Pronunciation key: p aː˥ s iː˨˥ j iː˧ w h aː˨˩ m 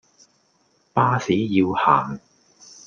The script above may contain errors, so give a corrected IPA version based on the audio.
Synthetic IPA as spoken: p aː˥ s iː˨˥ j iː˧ w h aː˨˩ ŋ